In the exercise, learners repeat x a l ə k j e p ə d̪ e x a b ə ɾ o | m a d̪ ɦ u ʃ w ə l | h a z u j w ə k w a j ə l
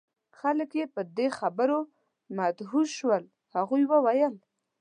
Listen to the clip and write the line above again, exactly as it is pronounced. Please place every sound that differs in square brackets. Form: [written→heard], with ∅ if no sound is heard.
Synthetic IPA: x a l ə k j e p ə d̪ e x a b ə ɾ o | m a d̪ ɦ u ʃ w ə l | h a [z→ɣ] u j w ə [k→∅] w a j ə l